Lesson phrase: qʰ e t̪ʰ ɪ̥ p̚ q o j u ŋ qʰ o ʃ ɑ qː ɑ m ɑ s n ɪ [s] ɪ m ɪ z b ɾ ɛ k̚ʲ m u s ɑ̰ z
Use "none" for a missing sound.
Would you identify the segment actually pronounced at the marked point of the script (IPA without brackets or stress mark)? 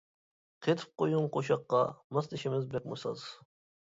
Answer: ʃ